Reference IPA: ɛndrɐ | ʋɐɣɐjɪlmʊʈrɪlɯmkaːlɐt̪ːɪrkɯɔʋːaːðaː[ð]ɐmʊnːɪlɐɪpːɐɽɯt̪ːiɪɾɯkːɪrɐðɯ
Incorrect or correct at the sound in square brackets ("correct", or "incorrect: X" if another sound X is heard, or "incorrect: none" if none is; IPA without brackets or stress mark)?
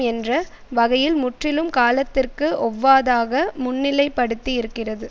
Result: incorrect: ɣ